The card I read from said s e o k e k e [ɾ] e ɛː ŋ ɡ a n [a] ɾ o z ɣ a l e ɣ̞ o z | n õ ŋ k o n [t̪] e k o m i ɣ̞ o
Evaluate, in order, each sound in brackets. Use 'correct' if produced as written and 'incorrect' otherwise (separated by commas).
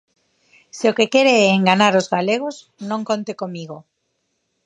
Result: correct, correct, correct